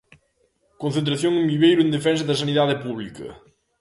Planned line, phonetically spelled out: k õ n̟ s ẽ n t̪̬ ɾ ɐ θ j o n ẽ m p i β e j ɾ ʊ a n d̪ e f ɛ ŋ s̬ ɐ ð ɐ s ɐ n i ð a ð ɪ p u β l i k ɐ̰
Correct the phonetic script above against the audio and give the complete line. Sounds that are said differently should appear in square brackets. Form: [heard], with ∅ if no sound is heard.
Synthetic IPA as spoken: k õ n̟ [θ] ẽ n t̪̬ ɾ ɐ θ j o [ŋ] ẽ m [b] i β e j ɾ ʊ [e] n d̪ e f ɛ [n] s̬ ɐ ð ɐ s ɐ n i ð a ð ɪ p u β l i k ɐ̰